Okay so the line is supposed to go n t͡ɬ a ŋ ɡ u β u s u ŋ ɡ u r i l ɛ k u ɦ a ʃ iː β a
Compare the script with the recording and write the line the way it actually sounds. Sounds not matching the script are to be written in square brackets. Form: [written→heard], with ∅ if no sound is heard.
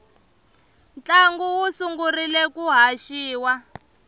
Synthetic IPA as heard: n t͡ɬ a ŋ ɡ u [β→w] u s u ŋ ɡ u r i l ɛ k u ɦ a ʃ iː [β→w] a